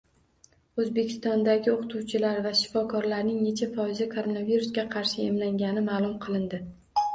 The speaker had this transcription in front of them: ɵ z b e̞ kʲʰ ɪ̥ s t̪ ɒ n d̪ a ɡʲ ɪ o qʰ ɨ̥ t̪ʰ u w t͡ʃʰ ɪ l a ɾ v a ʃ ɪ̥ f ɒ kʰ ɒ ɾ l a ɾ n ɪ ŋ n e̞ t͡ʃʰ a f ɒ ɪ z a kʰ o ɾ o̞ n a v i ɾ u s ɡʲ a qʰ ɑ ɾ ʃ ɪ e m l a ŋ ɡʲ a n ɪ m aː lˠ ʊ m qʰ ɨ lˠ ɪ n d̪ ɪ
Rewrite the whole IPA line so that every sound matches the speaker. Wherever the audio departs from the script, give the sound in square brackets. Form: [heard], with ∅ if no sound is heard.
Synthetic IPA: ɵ z b e̞ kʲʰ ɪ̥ s t̪ ɒ n d̪ a ɡʲ ɪ o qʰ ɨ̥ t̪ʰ u w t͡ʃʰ ɪ l a ɾ v a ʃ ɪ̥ f ɒ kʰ ɒ ɾ l a ɾ n ɪ ŋ n e̞ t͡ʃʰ a f ɒ ɪ z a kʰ o ɾ o̞ n a v i ɾ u s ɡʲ a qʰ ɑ ɾ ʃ ɪ e m l a ŋ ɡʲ a n ɪ m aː lˠ ʊ m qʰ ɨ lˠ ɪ n d̪ ɪ